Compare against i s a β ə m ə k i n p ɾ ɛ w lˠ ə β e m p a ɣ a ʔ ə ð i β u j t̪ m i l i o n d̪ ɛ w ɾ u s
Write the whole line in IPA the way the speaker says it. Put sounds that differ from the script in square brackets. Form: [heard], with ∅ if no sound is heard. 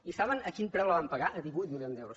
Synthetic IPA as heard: i s a β ə [n] ə k i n p ɾ ɛ w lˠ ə β [a] m p [ə] ɣ a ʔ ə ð i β u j t̪ m i l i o n d̪ ɛ w ɾ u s